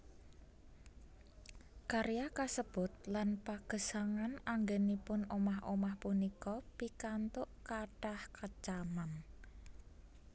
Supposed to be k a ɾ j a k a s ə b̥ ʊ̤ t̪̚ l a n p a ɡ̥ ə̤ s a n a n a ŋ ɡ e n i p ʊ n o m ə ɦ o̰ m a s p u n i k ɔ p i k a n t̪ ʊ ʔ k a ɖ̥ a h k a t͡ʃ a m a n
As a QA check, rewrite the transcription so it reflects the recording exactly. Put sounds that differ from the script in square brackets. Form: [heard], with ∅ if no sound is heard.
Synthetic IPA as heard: k a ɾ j a k a s ə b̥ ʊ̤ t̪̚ l a n p a ɡ̥ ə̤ s a [ŋ] a n a ŋ ɡ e n i p ʊ n o m [a] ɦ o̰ m a [h] p u n i k ɔ p i k a n t̪ ʊ ʔ k a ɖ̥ a h k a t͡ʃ a m a n